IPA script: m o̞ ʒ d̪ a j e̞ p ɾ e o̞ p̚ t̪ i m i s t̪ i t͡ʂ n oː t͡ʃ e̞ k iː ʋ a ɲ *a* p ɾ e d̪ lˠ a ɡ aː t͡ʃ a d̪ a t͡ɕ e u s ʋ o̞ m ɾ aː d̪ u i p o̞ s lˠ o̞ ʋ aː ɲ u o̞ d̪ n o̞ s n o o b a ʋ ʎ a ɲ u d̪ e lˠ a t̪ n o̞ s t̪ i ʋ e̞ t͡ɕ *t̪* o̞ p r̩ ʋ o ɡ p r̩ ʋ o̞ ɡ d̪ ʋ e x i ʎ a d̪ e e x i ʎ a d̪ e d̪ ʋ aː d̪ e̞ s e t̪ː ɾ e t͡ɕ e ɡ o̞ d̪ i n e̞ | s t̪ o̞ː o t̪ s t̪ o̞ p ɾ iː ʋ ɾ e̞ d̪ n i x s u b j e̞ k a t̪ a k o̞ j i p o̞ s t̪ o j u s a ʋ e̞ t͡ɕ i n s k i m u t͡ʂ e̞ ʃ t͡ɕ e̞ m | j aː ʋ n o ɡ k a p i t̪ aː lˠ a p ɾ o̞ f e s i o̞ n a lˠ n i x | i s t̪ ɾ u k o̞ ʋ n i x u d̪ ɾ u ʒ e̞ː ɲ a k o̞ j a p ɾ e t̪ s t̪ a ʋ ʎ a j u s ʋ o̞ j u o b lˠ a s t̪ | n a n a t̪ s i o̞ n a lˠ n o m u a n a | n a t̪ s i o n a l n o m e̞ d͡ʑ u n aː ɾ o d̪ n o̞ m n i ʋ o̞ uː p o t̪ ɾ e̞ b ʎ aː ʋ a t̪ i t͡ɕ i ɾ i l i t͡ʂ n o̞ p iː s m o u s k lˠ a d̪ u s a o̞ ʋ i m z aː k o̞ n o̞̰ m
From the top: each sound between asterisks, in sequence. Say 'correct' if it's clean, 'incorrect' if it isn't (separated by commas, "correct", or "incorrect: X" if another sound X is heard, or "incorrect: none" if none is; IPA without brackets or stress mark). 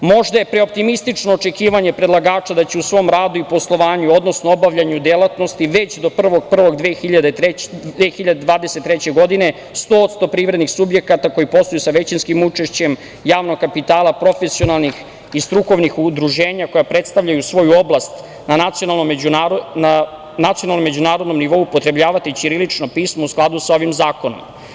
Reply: incorrect: e, incorrect: d̪